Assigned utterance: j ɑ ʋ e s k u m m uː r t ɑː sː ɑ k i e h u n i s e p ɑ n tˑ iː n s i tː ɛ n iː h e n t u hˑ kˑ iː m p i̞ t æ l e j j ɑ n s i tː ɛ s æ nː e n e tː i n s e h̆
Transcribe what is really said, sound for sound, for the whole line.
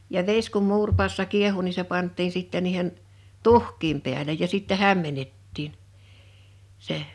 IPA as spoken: j ɑ ʋ e s k u m m uː r p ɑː sː ɑ k i e h u n i s e p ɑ n tˑ iː n s i tː ɛ n iː h e n t u hˑ kˑ iː m p i̞ æ l e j j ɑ s i tː ɛ h æ mː e n e tː iː n s e h̆